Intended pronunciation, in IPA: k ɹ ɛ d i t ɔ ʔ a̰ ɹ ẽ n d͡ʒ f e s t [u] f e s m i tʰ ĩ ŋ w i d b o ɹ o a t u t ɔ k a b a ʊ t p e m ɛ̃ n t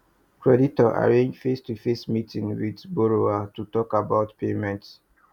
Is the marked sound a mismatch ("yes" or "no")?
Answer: no